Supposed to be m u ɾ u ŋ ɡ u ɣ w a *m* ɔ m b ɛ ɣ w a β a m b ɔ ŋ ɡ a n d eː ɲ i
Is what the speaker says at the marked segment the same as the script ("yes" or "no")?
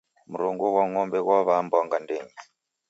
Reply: no